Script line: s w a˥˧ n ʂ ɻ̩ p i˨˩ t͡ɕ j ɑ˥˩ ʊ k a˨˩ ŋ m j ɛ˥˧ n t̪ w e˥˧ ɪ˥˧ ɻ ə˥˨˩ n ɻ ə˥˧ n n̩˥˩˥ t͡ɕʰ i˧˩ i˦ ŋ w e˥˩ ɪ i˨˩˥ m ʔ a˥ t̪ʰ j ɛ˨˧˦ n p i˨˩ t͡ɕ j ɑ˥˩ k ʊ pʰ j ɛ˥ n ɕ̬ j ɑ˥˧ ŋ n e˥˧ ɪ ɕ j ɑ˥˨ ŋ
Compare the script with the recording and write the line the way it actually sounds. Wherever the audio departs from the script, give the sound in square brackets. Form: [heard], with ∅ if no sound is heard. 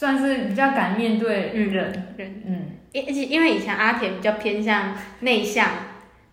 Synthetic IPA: s w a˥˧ n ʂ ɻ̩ p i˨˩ t͡ɕ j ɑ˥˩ ʊ k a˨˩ [n] m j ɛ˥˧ n t̪ w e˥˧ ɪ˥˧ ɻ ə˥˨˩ n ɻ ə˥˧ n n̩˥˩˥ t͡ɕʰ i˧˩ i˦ [n] w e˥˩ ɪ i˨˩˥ [ŋ] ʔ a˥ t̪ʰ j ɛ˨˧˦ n p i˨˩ t͡ɕ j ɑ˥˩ [∅] ʊ pʰ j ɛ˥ n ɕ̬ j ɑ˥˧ ŋ n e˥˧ ɪ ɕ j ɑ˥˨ ŋ